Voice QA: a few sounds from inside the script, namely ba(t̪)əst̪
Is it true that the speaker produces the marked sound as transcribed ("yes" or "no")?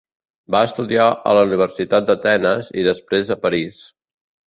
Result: no